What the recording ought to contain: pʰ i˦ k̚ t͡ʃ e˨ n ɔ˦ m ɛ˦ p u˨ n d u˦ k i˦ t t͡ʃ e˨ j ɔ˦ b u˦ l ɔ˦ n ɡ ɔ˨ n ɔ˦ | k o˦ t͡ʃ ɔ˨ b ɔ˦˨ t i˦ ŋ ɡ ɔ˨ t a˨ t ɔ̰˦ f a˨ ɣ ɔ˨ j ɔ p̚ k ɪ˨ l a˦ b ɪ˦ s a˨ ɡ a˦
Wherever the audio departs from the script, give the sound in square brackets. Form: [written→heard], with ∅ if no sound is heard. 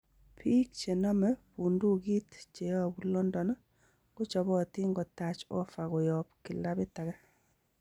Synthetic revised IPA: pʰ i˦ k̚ t͡ʃ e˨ n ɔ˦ m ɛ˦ p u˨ n d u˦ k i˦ t t͡ʃ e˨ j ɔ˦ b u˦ l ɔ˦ n [ɡ→d] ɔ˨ n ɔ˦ | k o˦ t͡ʃ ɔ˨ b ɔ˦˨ t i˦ ŋ ɡ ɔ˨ t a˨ [t→t͡ʃ] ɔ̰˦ f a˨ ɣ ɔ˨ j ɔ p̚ k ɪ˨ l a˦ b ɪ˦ [s→t] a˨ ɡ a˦